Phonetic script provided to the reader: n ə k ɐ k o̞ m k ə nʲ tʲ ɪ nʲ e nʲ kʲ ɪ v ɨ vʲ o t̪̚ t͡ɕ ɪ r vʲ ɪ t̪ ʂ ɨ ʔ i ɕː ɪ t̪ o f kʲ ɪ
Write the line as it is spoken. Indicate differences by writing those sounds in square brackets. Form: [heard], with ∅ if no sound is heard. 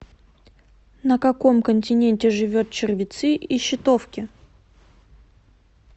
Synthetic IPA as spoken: n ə k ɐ k o̞ m k ə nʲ tʲ ɪ nʲ e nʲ [tʲ] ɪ [ʐ] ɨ vʲ o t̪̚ t͡ɕ ɪ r vʲ ɪ t̪ [s] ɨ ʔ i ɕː ɪ t̪ o f kʲ ɪ

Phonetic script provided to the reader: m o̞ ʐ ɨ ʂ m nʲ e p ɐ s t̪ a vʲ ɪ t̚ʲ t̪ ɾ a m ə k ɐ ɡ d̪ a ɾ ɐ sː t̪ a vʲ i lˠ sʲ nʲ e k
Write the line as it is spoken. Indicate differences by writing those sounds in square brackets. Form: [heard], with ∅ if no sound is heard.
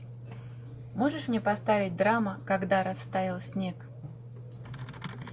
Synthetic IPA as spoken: m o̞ ʐ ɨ ʂ m nʲ e p ɐ s t̪ a vʲ ɪ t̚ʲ [d̪] ɾ a m ə k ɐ ɡ d̪ a ɾ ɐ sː t̪ a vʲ [ɪ] lˠ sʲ nʲ e k

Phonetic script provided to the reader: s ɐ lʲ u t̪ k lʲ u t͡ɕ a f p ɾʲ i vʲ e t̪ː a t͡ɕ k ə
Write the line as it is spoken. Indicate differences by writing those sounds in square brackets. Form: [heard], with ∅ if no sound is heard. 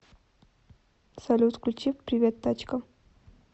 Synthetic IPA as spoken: s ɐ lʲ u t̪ k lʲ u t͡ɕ [i] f p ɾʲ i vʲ e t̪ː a t͡ɕ k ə

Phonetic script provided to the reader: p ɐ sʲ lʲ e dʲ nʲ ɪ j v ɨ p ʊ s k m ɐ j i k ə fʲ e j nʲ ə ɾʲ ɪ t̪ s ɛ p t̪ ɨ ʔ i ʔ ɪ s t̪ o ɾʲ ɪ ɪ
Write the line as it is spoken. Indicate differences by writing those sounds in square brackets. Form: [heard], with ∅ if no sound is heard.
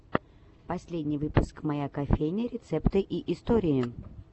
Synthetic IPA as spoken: p ɐ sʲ lʲ e dʲ nʲ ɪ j v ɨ p ʊ s k m ɐ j [a] k [ɐ] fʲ e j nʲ ə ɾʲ ɪ t̪ s ɛ p t̪ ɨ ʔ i ʔ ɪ s t̪ o ɾʲ ɪ ɪ

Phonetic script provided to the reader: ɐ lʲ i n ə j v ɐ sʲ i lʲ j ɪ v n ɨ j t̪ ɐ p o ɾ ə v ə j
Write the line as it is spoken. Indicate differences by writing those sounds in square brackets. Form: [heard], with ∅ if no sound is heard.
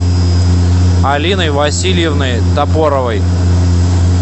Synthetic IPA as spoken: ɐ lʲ i n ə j v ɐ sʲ i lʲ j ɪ v n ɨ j t̪ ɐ p o ɾ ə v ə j

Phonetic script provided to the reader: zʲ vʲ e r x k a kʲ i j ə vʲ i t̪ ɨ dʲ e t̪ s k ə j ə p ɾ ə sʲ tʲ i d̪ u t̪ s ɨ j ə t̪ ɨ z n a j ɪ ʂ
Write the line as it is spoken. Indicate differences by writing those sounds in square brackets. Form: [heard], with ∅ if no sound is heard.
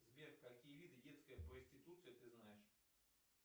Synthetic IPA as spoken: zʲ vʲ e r x k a kʲ i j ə vʲ i [d̪] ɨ dʲ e t̪ s k ə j ə p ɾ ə sʲ tʲ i [t̪] u t̪ s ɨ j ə t̪ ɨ z n a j ɪ ʂ

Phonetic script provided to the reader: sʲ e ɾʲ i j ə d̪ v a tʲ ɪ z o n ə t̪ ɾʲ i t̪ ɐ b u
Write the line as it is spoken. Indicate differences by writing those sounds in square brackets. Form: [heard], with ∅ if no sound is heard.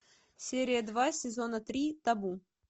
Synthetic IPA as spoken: sʲ e ɾʲ [ɪ] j ə d̪ v a [sʲ] ɪ z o n ə t̪ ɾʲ i t̪ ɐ b u

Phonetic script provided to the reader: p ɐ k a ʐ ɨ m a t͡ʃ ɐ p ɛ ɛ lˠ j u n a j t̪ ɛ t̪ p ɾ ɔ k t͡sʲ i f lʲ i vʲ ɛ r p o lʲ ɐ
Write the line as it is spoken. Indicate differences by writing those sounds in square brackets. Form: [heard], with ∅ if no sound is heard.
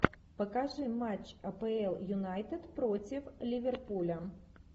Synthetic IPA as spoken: p ɐ k a ʐ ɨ m a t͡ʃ ɐ p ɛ ɛ lˠ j u n a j t̪ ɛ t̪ p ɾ ɔ [∅] t͡sʲ i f lʲ i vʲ ɛ r p [u] lʲ ɐ

